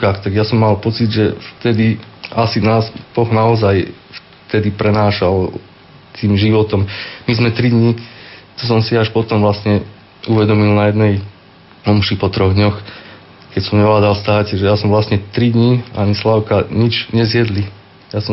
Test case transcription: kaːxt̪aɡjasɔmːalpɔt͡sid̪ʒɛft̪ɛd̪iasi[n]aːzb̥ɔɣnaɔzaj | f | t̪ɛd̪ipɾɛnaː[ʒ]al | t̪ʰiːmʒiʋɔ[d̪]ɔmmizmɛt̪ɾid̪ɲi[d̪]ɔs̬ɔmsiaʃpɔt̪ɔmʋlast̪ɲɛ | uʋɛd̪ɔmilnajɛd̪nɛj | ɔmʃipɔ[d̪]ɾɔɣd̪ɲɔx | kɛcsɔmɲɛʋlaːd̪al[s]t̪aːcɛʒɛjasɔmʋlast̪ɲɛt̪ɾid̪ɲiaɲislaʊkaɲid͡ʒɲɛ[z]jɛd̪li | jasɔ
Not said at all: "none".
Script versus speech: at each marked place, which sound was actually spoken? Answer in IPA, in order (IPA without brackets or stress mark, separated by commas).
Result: n, ʃ, t̪, t̪, t̪, s, z